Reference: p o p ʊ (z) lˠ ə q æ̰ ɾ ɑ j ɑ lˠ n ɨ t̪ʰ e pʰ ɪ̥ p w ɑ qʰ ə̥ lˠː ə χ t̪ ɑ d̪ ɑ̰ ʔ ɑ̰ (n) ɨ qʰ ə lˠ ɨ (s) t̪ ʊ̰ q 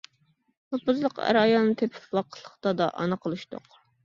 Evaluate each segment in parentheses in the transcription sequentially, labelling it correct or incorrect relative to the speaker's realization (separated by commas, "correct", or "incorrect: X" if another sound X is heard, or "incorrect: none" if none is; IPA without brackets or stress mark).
correct, correct, incorrect: ʃ